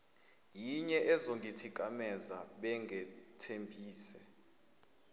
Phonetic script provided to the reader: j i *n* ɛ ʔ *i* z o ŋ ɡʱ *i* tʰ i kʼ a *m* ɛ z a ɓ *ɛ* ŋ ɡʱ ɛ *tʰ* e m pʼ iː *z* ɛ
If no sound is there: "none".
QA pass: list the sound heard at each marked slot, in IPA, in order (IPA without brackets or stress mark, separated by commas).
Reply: ɲ, ɛ, i, m, ɛ, tʰ, s